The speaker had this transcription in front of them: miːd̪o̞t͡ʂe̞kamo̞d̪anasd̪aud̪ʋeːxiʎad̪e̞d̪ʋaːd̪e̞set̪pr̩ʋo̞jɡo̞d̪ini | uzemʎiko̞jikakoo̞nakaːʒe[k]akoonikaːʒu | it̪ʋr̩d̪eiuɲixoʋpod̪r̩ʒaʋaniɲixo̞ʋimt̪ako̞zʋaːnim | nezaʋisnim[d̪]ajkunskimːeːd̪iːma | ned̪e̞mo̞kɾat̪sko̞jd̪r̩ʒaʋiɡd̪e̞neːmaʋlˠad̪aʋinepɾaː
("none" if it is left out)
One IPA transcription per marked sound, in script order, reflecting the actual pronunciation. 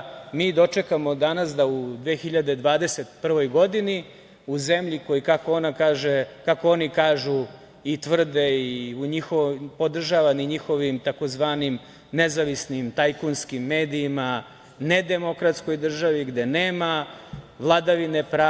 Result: k, t̪

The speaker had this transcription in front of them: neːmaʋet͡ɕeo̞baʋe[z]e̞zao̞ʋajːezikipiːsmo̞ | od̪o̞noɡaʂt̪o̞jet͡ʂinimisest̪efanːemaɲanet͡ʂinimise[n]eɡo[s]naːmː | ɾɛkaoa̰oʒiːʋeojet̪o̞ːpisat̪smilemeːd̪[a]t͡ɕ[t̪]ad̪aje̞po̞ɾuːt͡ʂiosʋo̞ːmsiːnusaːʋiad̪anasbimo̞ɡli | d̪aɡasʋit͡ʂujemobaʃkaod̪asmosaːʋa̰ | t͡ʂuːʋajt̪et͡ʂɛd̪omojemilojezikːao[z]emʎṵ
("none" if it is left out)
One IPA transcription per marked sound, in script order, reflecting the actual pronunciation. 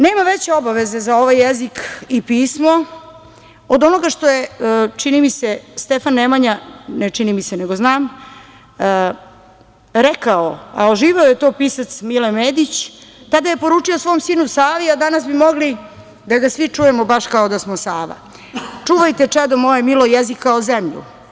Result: z, n, z, i, t̪, z

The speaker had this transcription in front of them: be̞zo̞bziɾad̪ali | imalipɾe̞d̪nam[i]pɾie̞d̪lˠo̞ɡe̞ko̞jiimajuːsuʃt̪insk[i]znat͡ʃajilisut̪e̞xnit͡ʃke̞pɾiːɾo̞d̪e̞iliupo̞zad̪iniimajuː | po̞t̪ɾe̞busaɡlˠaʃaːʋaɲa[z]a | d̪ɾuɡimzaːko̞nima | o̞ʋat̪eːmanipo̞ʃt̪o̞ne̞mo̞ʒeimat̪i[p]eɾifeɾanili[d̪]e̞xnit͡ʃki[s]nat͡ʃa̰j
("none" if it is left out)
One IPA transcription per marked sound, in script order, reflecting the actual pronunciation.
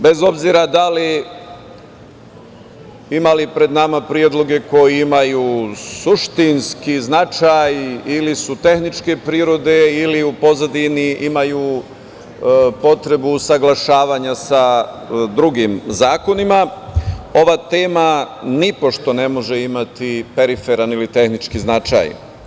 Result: a, i, s, p, t̪, z

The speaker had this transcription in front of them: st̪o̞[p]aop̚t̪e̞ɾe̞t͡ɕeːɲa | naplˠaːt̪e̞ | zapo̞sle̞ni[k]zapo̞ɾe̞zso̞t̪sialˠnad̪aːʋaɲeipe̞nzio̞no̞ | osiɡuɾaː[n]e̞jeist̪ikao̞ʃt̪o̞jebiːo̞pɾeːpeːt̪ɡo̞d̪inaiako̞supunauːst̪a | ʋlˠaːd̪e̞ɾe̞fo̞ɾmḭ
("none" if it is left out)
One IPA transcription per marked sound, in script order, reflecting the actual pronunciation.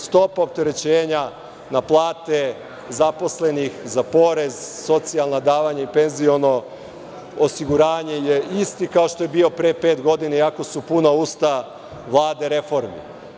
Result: p, x, ɲ

